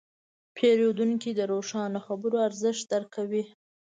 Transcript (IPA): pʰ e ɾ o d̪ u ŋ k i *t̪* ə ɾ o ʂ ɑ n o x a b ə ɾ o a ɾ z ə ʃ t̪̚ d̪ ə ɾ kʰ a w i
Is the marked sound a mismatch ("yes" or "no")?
yes